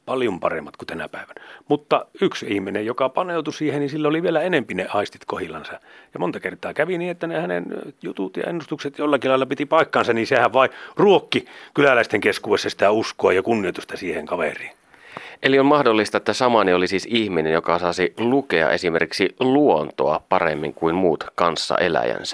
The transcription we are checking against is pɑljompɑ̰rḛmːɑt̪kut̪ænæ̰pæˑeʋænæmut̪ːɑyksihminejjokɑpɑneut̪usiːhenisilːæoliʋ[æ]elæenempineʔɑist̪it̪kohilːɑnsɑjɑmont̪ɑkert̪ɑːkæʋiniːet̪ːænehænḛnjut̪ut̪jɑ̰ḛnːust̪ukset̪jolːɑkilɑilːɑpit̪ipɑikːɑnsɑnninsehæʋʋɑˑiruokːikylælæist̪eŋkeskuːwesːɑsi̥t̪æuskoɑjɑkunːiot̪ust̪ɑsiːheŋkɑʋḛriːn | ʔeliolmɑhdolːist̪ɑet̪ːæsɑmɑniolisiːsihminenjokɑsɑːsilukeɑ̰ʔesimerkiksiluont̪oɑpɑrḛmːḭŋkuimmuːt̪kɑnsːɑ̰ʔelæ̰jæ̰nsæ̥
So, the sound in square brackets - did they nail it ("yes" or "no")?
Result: no